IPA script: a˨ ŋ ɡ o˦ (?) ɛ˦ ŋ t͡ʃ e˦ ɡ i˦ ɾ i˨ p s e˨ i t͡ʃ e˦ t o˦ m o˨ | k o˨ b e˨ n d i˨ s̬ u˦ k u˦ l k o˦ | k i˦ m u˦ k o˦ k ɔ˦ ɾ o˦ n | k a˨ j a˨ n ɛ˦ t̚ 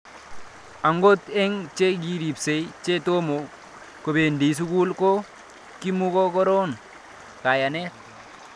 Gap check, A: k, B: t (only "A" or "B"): B